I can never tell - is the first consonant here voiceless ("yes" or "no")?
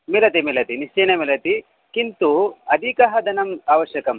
no